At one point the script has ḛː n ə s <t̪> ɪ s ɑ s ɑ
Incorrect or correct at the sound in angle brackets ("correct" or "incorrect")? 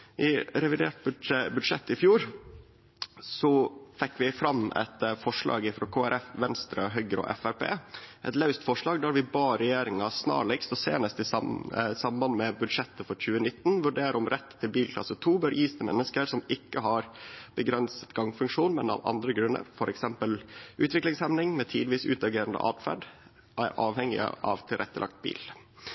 correct